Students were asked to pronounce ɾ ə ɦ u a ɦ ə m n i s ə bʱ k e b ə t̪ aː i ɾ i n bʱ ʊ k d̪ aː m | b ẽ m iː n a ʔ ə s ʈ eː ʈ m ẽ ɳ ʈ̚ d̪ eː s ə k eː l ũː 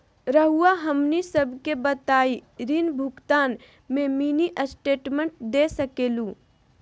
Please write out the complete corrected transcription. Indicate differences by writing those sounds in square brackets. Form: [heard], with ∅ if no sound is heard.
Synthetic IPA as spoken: ɾ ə ɦ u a ɦ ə m n i s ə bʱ k e b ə t̪ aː i ɾ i n bʱ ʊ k [t̪] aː [n] | [m] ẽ m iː n [i] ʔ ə s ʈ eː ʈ m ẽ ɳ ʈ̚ d̪ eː s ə k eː l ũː